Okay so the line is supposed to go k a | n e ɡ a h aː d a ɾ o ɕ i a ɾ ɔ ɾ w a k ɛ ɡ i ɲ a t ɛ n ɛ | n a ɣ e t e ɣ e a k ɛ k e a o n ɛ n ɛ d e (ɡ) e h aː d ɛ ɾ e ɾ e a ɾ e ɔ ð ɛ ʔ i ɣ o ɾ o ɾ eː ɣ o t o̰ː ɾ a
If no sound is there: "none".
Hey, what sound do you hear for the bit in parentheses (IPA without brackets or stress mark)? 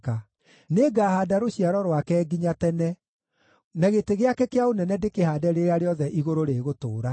k